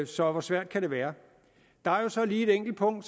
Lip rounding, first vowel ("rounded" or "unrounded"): rounded